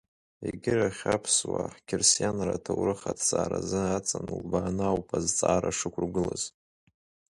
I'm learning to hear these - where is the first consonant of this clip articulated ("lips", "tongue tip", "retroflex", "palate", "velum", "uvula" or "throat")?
velum